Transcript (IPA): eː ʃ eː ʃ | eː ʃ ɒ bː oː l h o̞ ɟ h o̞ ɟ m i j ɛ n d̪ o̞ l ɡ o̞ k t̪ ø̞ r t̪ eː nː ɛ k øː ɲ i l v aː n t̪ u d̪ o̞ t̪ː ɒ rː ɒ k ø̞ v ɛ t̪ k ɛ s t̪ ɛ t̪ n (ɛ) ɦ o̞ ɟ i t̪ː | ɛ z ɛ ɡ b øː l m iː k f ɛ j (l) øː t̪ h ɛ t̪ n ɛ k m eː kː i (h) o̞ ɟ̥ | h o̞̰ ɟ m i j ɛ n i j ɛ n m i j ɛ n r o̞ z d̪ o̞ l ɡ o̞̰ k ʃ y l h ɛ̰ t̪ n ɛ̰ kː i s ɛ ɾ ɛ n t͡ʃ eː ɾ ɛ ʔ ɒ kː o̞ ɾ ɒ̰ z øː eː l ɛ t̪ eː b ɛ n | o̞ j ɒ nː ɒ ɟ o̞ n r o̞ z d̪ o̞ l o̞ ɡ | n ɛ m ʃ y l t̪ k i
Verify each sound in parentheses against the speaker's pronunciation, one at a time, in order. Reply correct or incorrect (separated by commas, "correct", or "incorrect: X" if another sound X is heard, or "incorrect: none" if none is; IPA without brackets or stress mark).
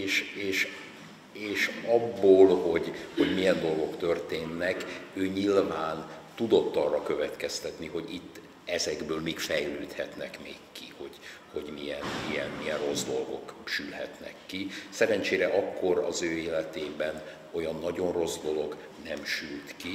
incorrect: i, correct, correct